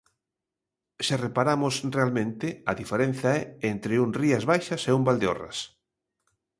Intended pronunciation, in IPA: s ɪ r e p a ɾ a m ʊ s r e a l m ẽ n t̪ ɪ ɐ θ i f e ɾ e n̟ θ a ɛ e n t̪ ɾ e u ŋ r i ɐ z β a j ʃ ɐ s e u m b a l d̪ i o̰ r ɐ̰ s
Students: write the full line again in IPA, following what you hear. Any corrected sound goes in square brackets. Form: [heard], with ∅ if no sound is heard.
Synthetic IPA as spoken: s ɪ r e p a ɾ a m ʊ s r e a l m ẽ n t̪ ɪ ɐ [ð] i f e ɾ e n̟ θ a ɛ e n t̪ ɾ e u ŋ r i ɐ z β a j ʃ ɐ s e u m b a l d̪ [e] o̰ r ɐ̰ s